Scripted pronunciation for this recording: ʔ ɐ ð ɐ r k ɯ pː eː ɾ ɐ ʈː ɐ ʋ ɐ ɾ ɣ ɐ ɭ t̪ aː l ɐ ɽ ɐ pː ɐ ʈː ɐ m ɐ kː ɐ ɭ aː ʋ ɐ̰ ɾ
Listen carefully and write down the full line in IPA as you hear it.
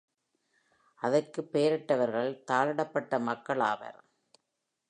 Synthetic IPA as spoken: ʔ ɐ ð ɐ r k ɯ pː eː ɾ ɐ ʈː ɐ ʋ ɐ ɾ ɣ ɐ ɭ t̪ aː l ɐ ɽ ɐ pː ɐ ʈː ɐ m ɐ kː ɐ ɭ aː ʋ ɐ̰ ɾ